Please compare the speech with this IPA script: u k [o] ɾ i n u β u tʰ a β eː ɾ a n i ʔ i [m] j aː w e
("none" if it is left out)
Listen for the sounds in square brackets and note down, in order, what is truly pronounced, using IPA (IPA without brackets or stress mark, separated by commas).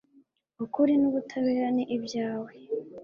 u, b